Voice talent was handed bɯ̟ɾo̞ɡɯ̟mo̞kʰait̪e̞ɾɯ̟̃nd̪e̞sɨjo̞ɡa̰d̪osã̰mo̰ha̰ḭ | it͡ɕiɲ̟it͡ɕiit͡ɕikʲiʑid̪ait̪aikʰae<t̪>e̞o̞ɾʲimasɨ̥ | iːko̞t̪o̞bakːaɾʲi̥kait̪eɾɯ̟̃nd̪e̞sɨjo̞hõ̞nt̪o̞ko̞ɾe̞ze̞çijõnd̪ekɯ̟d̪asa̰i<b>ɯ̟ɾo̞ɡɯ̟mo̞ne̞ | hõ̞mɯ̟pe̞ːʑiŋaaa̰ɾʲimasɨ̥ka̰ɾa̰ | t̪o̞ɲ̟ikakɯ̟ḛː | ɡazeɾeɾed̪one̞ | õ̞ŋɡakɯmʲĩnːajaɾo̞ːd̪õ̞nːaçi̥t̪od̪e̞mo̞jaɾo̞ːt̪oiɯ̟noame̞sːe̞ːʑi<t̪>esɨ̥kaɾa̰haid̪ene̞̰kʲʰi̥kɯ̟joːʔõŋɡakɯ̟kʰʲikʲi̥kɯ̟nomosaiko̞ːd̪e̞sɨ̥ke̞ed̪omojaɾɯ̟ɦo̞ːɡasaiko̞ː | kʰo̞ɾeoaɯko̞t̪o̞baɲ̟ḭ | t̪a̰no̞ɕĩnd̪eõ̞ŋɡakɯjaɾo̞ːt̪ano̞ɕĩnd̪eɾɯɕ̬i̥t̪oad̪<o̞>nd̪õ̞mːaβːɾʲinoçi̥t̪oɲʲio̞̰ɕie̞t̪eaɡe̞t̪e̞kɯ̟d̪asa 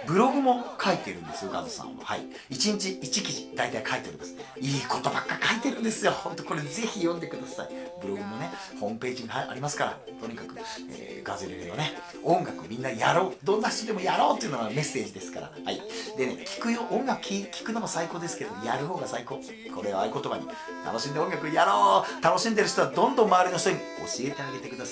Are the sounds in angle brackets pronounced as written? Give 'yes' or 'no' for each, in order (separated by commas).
yes, yes, no, no